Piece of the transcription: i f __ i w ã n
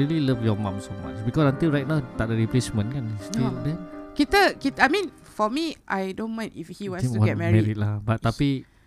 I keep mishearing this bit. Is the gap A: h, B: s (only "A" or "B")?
A